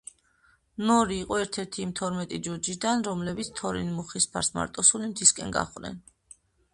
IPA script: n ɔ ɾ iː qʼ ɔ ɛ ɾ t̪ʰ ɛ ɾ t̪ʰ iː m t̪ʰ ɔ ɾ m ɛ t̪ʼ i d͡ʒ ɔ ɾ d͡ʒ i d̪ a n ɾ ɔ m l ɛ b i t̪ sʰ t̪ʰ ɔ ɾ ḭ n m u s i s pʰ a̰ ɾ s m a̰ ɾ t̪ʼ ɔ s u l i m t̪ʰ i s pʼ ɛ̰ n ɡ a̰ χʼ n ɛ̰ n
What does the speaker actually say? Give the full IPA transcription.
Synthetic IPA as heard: n ɔ ɾ iː qʼ ɔ ɛ ɾ t̪ʰ ɛ ɾ t̪ʰ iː m t̪ʰ ɔ ɾ m ɛ t̪ʼ i d͡ʒ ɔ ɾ d͡ʒ i d̪ a n ɾ ɔ m l ɛ b i t̪ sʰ t̪ʰ ɔ ɾ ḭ n m u χ i s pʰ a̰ ɾ s m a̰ ɾ t̪ʼ ɔ s u l i m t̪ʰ i s kʼ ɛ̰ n ɡ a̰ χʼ n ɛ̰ n

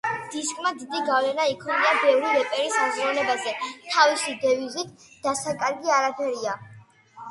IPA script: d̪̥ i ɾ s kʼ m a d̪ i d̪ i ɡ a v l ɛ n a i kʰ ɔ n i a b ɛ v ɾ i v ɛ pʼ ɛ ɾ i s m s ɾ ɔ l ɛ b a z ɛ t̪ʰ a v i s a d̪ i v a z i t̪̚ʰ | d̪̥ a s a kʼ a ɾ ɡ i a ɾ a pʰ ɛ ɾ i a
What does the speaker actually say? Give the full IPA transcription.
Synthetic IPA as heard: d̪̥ i s kʼ m a d̪ i d̪ i ɡ a v l ɛ n a i kʰ ɔ n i a b ɛ v ɾ i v ɛ pʼ ɛ ɾ i s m z ɾ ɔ l ɛ b a z ɛ t̪ʰ a v i s i d̪ ɛ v i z i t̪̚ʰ | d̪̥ a s a kʼ a ɾ ɡ i a ɾ a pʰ ɛ ɾ i a

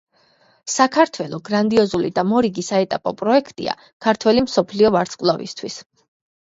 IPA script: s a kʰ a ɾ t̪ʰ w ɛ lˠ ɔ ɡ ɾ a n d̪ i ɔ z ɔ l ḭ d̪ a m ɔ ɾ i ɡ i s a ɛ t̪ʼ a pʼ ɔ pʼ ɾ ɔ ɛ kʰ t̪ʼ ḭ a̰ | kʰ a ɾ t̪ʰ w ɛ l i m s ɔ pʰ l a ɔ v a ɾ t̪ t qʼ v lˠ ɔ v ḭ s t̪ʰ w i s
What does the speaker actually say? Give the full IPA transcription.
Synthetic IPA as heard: s a kʰ a ɾ t̪ʰ w ɛ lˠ ɔ ɡ ɾ a n d̪ i ɔ z u l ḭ d̪ a m ɔ ɾ i ɡ i s a ɛ t̪ʼ a pʼ ɔ pʼ ɾ ɔ ɛ kʰ t̪ʼ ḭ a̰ | kʰ a ɾ t̪ʰ w ɛ l i m s ɔ pʰ l i ɔ v a ɾ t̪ s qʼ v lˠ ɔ v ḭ s t̪ʰ w i s

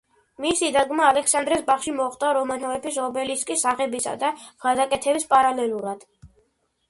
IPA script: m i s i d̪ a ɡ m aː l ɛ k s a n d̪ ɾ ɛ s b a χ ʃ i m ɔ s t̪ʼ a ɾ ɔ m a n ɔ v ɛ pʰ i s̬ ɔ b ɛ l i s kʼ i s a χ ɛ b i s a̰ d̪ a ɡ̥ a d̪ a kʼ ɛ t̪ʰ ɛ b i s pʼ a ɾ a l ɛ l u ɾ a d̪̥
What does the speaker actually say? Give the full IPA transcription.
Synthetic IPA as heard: m i s i d̪ a ɡ m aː l ɛ k s a n d̪ ɾ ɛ s b a χ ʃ i m ɔ χ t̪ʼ a ɾ ɔ m a n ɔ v ɛ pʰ i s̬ ɔ b ɛ l i s kʼ i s a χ ɛ b i s a̰ d̪ a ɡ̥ a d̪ a kʼ ɛ t̪ʰ ɛ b i s pʼ a ɾ a l ɛ l u ɾ a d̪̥

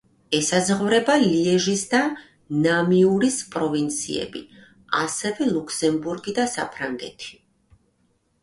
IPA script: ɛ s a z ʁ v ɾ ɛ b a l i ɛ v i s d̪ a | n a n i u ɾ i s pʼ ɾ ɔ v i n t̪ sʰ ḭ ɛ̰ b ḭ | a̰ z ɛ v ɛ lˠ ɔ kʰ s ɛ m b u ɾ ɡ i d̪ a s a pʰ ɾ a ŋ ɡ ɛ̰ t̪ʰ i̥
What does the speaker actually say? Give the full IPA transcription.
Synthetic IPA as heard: ɛ s a z ʁ v ɾ ɛ b a l i ɛ ʒ i s d̪ a | n a m i u ɾ i s pʼ ɾ ɔ v i n t̪ sʰ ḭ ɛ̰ b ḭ | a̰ s ɛ v ɛ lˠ u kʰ s ɛ m b u ɾ ɡ i d̪ a s a pʰ ɾ a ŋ ɡ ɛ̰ t̪ʰ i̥

